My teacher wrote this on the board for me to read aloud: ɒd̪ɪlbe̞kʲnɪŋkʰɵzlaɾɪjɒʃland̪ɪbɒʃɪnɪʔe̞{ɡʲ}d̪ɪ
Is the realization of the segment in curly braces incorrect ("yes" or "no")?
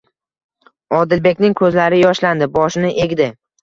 no